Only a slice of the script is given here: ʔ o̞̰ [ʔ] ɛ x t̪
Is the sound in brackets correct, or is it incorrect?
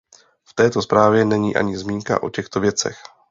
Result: incorrect